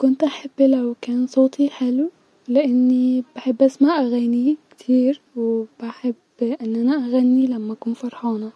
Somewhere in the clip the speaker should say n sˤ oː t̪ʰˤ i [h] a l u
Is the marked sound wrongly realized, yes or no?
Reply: yes